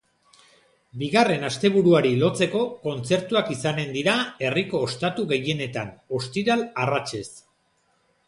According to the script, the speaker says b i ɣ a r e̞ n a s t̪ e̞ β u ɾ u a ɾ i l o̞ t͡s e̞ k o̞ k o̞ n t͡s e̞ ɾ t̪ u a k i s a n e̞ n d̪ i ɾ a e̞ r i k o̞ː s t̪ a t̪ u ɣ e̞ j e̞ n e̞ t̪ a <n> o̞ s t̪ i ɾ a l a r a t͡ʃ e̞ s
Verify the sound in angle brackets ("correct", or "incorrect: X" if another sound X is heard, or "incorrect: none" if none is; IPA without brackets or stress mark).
correct